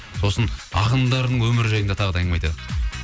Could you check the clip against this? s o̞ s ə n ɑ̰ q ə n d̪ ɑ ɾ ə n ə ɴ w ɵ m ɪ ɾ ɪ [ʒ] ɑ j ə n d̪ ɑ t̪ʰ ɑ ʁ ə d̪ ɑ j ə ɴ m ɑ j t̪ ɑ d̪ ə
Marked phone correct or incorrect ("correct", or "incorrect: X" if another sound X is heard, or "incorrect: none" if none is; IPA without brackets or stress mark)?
correct